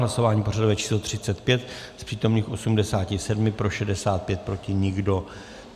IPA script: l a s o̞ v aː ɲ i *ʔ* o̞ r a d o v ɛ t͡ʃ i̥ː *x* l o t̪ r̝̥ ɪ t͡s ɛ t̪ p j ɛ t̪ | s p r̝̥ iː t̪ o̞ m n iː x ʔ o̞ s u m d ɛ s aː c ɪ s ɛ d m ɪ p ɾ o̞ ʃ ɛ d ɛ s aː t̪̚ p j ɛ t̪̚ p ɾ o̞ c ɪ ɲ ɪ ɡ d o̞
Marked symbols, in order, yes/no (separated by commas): no, no